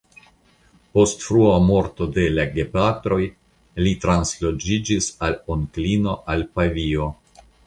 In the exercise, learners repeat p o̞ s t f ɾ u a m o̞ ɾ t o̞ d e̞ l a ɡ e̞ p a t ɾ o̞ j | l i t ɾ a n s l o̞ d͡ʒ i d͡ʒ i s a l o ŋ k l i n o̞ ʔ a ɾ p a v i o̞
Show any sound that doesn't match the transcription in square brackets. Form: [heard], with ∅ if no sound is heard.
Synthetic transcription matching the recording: p o̞ s t f ɾ u a m o̞ ɾ t o̞ d e̞ l a ɡ e̞ p a t ɾ o̞ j | l i t ɾ a n s l o̞ d͡ʒ i d͡ʒ i s a l o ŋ k l i n o̞ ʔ a [l] p a v i o̞